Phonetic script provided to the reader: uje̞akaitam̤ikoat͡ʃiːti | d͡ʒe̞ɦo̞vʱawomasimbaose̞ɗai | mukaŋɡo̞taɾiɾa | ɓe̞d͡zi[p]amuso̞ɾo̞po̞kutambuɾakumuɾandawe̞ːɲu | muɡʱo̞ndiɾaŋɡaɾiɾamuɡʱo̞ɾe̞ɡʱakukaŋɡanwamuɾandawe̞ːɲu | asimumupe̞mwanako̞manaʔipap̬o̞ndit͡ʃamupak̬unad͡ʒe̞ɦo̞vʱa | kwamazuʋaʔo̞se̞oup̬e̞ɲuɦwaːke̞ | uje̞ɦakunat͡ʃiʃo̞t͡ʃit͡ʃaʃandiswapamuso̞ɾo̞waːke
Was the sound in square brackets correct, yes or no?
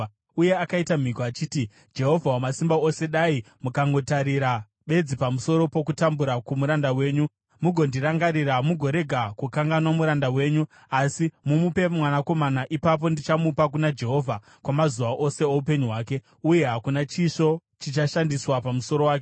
yes